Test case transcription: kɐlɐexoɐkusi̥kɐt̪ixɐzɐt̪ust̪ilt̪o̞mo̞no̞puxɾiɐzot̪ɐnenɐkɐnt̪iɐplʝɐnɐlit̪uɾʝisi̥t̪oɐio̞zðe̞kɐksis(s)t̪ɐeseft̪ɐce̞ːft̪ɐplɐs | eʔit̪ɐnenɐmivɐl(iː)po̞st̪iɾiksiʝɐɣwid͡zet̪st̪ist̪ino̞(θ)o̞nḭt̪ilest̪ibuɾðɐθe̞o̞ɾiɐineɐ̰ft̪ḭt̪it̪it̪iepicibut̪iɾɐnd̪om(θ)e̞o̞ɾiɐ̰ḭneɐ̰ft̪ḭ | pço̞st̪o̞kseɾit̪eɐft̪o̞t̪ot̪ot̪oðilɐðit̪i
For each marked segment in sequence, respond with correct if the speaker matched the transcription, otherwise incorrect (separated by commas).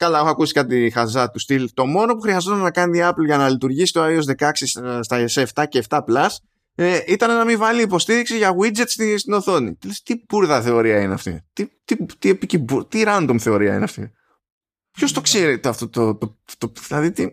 correct, correct, correct, correct